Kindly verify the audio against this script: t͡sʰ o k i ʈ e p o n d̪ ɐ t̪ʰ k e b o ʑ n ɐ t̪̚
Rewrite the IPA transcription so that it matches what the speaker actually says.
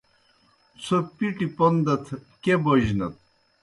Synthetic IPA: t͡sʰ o p i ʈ i p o n d̪ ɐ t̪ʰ k e b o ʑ n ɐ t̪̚